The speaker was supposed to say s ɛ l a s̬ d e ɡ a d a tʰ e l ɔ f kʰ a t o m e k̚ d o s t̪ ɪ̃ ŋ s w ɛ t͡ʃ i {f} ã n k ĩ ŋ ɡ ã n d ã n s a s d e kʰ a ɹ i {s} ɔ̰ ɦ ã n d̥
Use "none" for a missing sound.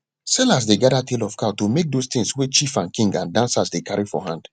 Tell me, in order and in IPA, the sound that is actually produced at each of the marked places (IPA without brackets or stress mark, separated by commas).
f, f